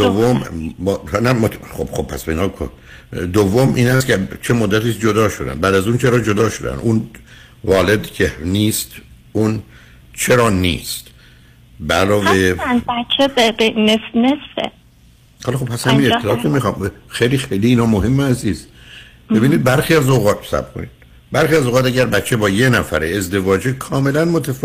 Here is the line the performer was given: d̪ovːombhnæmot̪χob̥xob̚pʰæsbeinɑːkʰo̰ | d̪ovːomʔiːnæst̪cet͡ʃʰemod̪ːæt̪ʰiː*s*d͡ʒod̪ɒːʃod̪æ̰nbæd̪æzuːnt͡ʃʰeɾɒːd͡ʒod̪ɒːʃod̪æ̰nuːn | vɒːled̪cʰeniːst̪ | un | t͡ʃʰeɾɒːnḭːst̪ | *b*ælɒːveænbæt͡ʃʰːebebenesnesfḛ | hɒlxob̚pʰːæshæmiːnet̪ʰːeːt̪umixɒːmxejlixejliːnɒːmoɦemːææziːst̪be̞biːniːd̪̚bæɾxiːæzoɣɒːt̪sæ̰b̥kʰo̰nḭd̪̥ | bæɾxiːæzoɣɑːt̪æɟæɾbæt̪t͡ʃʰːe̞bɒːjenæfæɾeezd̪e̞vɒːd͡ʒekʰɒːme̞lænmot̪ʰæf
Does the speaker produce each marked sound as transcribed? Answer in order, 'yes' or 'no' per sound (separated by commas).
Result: yes, yes